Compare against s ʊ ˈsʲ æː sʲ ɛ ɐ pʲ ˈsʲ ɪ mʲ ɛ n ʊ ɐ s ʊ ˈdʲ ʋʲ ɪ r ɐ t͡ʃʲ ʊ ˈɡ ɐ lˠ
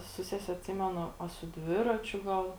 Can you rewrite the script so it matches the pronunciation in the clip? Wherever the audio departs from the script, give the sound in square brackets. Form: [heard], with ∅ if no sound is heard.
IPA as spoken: s ʊ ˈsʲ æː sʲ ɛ ɐ [tʲ] ˈsʲ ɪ mʲ ɛ n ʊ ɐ s ʊ ˈdʲ ʋʲ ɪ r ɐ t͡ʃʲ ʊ ˈɡ ɐ lˠ